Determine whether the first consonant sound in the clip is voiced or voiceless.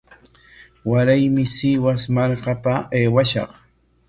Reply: voiced